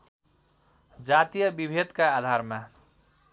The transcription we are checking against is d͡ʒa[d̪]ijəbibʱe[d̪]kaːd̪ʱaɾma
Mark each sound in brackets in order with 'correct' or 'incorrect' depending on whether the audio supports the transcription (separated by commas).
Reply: incorrect, correct